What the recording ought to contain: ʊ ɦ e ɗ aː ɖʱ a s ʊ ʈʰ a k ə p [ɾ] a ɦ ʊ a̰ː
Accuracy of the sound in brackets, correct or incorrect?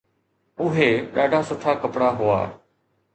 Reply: incorrect